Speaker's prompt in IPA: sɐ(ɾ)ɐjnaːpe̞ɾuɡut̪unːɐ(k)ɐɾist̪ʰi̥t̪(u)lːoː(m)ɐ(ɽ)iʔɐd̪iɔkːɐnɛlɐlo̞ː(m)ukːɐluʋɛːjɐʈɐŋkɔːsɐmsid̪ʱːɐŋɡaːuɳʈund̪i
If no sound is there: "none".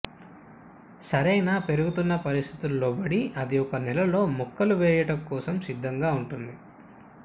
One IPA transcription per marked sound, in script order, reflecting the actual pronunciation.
ɾ, p, u, b, ɽ, m

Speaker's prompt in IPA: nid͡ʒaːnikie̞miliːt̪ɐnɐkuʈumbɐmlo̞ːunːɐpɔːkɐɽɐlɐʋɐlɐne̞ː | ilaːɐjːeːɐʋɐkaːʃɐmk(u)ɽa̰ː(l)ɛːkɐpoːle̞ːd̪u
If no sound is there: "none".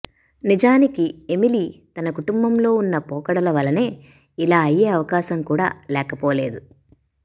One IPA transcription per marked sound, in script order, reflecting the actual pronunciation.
uː, l

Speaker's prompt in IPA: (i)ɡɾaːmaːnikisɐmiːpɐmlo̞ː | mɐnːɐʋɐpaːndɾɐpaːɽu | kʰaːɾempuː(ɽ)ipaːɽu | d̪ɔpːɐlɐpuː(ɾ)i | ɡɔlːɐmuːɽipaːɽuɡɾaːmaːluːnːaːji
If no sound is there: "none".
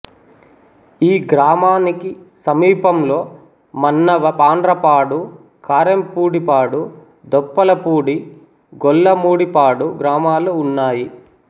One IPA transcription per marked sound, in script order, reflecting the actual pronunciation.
iː, ɽ, ɽ

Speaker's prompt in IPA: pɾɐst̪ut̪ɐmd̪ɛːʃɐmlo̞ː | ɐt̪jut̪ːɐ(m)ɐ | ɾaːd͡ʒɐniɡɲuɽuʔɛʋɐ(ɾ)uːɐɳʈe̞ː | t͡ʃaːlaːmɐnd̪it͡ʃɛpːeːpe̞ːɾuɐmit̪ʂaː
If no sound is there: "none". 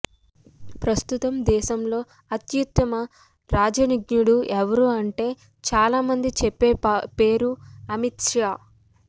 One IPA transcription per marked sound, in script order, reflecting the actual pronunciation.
m, ɾ

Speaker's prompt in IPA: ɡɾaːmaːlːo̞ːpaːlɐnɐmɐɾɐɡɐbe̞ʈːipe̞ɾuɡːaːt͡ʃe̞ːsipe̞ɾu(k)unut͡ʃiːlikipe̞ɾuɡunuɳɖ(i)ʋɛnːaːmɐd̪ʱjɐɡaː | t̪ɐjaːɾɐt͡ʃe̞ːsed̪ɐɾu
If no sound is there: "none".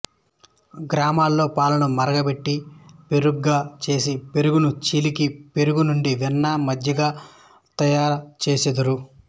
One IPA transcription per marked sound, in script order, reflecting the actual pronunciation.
ɡ, i

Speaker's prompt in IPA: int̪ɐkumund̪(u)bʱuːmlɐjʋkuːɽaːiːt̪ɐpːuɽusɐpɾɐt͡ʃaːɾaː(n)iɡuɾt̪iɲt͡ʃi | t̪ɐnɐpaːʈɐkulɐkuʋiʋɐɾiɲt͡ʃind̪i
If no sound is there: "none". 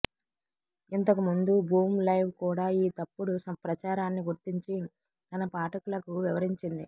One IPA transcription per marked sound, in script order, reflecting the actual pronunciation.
u, nː

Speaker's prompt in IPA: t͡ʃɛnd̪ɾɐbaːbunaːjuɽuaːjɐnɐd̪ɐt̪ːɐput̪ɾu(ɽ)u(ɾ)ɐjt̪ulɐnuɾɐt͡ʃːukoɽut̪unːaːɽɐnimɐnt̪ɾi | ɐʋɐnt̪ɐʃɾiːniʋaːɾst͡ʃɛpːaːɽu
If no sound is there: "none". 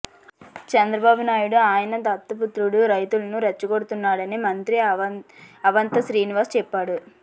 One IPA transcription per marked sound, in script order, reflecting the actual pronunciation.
ɽ, ɾ

